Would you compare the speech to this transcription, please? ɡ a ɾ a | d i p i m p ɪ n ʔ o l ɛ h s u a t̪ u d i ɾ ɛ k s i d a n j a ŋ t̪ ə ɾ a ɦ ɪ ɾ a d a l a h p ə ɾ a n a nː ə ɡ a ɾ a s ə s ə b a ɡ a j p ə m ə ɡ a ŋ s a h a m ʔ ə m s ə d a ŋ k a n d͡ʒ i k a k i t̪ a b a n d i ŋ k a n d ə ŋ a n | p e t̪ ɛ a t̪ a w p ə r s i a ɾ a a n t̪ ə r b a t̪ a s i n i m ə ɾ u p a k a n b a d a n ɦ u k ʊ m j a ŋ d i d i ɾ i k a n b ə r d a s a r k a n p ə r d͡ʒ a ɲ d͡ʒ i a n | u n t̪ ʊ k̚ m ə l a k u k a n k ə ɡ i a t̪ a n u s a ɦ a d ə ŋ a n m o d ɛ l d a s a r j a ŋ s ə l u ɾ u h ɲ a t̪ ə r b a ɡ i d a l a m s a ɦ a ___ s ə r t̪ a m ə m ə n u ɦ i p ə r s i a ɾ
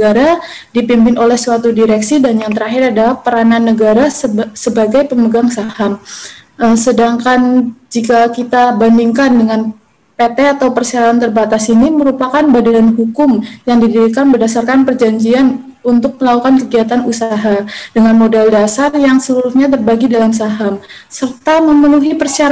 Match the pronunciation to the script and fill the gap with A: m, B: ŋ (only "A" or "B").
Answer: A